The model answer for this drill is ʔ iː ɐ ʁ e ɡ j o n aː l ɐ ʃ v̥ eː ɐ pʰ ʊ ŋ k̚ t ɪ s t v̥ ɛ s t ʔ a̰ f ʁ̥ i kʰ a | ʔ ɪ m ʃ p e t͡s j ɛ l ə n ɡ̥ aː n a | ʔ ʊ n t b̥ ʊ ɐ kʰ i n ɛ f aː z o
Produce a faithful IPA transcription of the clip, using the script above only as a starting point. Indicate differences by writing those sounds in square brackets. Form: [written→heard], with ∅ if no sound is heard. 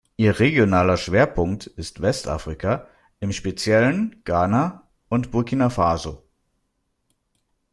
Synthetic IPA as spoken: ʔ iː ɐ ʁ e ɡ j o n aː l ɐ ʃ v̥ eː ɐ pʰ ʊ ŋ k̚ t ɪ s t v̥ ɛ s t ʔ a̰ f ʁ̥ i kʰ a | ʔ ɪ m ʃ p e t͡s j ɛ l ə n ɡ̥ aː n a | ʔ ʊ n t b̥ ʊ ɐ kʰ i n [ɛ→a] f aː z o